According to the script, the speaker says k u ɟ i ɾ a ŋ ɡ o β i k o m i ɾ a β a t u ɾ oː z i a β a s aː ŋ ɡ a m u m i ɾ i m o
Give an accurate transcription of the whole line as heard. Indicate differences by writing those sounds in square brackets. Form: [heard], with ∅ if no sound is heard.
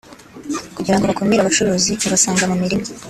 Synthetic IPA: k u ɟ i ɾ a ŋ ɡ o β [a] k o m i ɾ a β a [t͡ʃ] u ɾ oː z i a β a s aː ŋ ɡ a m u m i ɾ i m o